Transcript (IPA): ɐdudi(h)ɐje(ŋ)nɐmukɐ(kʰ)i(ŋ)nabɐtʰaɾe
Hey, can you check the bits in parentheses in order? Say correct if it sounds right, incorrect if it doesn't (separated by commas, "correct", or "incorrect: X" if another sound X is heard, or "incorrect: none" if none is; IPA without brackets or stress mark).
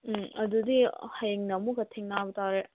correct, correct, incorrect: tʰ, correct